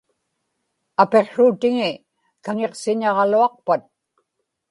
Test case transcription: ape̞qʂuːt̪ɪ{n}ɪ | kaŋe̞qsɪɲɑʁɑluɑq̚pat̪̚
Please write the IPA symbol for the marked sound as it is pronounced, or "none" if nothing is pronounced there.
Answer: ŋ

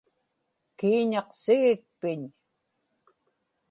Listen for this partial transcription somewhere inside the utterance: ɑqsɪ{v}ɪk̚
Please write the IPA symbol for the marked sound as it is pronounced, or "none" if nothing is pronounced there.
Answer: ɣ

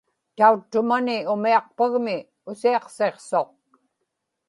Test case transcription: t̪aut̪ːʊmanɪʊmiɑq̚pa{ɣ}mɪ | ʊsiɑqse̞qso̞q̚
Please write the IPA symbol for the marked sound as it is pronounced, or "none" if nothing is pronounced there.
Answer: ɣ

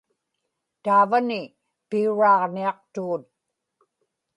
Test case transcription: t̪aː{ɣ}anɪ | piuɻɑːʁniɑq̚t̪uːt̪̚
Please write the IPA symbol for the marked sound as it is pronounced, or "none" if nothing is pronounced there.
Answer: v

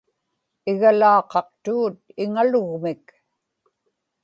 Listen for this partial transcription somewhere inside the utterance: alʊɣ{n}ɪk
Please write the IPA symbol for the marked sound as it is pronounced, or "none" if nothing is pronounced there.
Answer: m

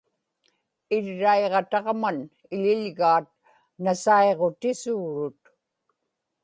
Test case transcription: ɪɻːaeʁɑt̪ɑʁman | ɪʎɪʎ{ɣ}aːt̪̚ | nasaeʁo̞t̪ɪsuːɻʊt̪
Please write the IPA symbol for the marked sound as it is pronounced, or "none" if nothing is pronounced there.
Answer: ɣ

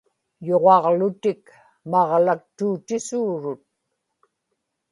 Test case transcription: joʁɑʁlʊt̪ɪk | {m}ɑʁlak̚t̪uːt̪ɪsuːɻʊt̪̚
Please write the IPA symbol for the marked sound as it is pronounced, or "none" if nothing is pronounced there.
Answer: m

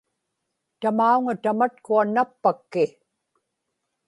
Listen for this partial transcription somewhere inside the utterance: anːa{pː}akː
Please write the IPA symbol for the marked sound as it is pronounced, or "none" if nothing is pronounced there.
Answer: pː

